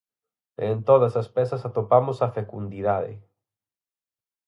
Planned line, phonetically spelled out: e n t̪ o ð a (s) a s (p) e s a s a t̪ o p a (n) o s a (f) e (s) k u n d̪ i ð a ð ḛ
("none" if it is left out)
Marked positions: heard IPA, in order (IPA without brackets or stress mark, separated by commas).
s, p, m, f, none